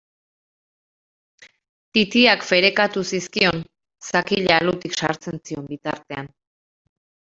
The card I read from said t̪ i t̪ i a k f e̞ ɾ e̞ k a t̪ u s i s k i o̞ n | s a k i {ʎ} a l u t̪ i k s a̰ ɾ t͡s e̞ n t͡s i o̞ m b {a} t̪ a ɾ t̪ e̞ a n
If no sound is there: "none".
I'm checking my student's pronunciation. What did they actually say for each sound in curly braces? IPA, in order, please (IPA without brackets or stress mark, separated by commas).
ʎ, i